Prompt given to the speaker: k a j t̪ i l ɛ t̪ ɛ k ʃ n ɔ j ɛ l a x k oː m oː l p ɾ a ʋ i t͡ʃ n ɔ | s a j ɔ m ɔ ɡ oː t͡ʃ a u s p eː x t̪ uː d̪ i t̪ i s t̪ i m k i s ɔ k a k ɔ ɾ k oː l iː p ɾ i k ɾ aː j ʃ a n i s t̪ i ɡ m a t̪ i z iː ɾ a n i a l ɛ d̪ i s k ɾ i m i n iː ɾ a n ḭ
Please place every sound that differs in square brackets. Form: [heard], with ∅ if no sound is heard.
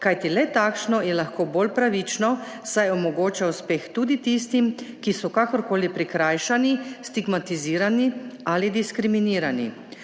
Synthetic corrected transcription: k a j t̪ i l ɛ t̪ [a] k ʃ n ɔ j ɛ l a x k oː [b] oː l p ɾ a ʋ i t͡ʃ n ɔ | s a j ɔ m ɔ ɡ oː t͡ʃ a u s p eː x t̪ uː d̪ i t̪ i s t̪ i m k i s ɔ k a k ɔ ɾ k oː l [i] p ɾ i k ɾ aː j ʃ a n i s t̪ i ɡ m a t̪ i z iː ɾ a n i a l [i] d̪ i s k ɾ i m i n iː ɾ a n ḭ